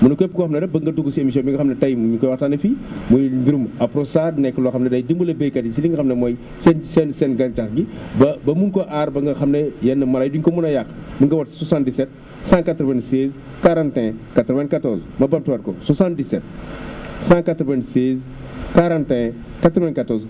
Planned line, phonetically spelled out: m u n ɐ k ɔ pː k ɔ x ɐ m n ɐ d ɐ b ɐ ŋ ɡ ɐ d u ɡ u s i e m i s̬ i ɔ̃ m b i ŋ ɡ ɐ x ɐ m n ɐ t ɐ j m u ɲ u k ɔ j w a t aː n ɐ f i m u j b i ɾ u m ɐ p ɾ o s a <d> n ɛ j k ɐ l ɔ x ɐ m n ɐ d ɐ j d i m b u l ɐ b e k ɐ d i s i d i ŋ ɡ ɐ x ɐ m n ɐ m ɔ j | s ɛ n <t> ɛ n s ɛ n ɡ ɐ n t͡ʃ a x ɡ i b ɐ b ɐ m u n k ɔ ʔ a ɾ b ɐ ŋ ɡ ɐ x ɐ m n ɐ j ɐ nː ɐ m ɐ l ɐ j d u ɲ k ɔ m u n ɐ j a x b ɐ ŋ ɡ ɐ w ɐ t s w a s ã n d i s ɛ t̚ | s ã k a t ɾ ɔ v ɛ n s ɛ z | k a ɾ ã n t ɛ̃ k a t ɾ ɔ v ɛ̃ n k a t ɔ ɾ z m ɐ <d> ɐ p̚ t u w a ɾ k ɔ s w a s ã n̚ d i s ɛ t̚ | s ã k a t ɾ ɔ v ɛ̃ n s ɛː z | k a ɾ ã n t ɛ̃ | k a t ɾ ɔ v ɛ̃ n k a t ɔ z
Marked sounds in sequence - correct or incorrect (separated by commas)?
correct, incorrect, incorrect